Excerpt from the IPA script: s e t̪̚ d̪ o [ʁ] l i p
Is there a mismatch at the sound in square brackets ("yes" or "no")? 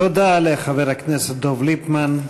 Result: yes